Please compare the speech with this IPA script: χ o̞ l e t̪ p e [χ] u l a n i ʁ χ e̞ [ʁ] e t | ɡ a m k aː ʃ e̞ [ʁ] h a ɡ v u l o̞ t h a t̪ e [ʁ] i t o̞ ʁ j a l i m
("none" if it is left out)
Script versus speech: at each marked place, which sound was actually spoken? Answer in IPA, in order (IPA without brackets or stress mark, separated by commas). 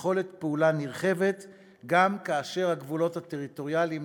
none, v, ʁ, ʁ